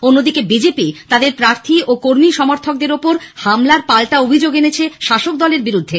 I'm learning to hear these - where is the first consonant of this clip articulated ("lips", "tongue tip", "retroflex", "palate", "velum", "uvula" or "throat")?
tongue tip